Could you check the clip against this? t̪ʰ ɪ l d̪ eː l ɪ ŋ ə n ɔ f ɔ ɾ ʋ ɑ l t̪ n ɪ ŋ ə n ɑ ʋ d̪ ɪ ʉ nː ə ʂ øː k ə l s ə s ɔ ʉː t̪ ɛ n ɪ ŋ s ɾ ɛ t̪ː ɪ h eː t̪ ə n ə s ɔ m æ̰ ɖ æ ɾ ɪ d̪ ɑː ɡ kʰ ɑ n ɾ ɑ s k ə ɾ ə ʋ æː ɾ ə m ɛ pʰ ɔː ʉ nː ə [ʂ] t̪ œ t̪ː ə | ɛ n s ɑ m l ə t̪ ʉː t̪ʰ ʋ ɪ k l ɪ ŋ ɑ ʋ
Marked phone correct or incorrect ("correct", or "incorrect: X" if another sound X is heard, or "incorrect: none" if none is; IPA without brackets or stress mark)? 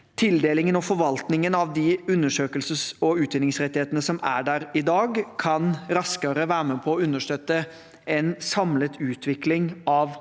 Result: correct